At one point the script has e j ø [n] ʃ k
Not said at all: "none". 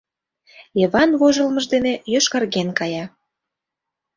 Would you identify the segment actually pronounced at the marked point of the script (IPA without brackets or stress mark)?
none